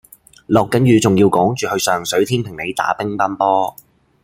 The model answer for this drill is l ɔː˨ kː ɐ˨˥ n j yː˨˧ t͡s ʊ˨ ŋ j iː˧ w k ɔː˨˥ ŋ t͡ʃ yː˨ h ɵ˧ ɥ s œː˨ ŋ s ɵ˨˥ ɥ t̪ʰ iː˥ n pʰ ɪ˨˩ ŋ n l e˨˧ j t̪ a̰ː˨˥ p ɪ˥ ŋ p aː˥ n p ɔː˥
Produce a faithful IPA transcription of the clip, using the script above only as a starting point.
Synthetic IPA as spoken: l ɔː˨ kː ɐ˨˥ n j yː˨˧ t͡s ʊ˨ ŋ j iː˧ w k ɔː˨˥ ŋ t͡ʃ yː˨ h ɵ˧ ɥ s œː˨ ŋ s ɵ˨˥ ɥ t̪ʰ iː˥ n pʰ ɪ˨˩ ŋ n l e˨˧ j t̪ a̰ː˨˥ p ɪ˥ ŋ p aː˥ n p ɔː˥

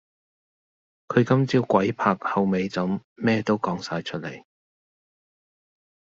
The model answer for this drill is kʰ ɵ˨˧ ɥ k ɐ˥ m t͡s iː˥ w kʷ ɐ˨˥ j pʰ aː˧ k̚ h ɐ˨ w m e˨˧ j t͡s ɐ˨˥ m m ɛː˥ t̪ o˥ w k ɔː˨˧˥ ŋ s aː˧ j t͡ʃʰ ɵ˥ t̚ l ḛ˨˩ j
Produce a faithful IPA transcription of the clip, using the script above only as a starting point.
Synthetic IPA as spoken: kʰ ɵ˨˧ ɥ k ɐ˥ m t͡s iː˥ w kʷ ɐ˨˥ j pʰ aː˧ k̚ h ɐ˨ w m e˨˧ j t͡s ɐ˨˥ m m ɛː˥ t̪ o˥ w k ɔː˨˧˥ ŋ s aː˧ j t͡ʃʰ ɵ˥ t̚ l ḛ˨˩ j

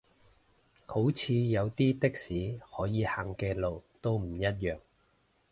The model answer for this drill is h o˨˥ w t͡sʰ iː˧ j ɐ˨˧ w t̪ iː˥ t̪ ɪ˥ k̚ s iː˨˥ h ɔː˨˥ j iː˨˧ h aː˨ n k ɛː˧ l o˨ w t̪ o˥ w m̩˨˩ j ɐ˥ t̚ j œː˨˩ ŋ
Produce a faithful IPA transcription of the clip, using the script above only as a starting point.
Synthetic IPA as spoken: h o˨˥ w t͡sʰ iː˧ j ɐ˨˧ w t̪ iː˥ t̪ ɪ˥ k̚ s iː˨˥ h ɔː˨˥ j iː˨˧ h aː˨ ŋ k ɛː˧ l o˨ w t̪ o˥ w m̩˨˩ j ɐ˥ t̚ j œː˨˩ ŋ

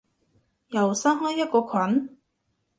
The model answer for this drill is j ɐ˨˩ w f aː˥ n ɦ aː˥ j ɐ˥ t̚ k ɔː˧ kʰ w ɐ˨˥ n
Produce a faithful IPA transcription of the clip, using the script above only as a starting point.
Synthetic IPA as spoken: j ɐ˨˩ w s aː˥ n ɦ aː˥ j ɐ˥ t̚ k ɔː˧ kʰ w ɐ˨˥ n

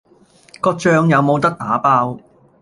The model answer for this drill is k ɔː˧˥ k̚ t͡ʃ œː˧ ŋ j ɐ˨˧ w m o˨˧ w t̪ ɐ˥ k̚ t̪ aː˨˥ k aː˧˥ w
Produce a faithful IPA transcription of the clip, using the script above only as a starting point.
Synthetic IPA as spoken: k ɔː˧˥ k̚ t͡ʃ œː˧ ŋ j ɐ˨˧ w m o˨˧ w t̪ ɐ˥ k̚ t̪ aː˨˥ p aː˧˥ w

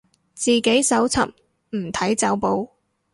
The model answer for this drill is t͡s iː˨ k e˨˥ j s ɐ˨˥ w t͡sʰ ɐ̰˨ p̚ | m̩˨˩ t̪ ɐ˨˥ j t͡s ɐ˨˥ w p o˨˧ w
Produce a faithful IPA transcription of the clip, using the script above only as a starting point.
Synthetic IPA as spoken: t͡s iː˨ k e˨˥ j s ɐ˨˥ w t͡sʰ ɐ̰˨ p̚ | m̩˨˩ t̪ʰ ɐ˨˥ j t͡s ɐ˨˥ w p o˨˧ w

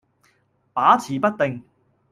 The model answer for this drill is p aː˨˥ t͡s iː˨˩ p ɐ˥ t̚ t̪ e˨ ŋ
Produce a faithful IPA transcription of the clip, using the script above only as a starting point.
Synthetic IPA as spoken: p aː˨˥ t͡sʰ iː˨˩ p ɐ˥ t̚ t̪ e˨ ŋ

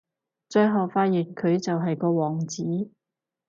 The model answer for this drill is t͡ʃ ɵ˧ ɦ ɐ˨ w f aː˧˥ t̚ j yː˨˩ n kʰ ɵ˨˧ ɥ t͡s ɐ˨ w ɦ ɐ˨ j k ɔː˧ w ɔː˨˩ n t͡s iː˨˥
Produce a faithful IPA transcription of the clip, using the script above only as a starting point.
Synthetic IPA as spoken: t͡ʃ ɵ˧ ɦ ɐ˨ w f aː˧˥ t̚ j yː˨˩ n kʰ ɵ˨˧ ɥ t͡s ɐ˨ w ɦ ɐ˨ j k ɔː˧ w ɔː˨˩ ŋ t͡s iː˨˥

